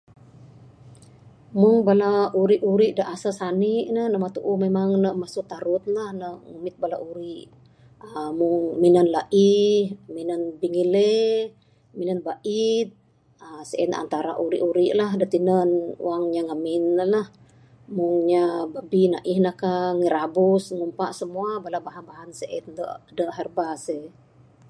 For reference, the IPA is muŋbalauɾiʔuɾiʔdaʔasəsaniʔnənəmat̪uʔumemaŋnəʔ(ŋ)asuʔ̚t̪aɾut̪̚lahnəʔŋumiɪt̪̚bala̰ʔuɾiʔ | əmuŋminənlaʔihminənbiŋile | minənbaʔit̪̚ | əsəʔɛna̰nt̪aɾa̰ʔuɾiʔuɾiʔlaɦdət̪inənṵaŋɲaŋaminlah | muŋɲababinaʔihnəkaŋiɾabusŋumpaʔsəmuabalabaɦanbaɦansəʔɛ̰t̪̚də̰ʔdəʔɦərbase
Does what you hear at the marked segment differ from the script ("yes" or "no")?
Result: yes